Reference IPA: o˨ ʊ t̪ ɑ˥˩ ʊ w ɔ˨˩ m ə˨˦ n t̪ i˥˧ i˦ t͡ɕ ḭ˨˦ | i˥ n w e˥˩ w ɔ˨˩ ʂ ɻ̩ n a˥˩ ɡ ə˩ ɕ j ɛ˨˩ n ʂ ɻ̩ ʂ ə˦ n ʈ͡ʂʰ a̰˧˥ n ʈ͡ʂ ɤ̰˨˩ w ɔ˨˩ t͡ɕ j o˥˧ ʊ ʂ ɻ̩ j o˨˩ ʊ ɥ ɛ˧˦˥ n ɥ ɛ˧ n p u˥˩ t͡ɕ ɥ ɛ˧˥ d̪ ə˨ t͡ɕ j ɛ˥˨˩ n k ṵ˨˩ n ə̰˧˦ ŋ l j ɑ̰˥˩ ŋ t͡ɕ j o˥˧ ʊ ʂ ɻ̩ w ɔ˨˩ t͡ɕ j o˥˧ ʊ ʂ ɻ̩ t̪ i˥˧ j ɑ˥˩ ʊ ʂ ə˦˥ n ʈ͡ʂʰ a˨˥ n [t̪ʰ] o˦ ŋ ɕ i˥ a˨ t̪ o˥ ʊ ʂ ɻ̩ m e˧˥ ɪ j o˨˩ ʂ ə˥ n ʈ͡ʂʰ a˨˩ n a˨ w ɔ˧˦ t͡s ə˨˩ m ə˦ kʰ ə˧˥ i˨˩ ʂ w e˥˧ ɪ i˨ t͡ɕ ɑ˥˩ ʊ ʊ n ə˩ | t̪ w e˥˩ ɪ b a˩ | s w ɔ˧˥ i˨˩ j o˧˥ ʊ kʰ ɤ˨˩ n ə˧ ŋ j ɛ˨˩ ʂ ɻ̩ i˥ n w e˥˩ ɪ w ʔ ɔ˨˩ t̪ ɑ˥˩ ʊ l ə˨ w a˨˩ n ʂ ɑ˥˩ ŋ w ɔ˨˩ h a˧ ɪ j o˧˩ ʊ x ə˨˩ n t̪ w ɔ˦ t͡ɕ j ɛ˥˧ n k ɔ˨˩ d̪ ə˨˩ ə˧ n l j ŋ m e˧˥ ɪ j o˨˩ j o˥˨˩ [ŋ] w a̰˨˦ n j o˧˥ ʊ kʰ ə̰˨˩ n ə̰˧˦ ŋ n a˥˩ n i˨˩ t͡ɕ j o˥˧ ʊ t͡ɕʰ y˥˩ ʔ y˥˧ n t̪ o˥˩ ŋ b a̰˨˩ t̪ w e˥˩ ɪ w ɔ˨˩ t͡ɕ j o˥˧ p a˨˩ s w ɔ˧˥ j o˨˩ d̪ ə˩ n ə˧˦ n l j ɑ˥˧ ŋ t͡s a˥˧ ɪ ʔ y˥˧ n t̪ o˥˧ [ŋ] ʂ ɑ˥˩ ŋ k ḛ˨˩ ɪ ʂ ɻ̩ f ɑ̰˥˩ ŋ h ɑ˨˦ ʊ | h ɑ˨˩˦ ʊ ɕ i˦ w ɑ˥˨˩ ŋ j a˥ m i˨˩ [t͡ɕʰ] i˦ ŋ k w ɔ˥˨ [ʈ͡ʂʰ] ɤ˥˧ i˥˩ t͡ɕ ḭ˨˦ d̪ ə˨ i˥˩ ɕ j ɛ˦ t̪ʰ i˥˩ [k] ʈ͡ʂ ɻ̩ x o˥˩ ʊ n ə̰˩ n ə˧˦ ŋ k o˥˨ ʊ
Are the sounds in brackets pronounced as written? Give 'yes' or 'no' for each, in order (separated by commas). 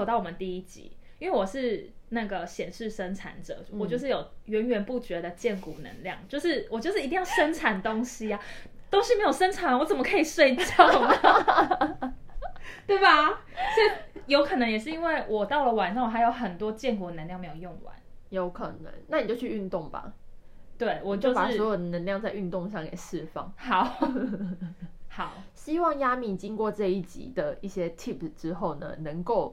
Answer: no, yes, yes, no, no, no